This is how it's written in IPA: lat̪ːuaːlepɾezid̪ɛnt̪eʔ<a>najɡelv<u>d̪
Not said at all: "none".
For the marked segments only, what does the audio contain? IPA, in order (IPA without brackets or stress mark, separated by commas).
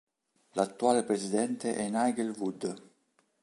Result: ɛ, u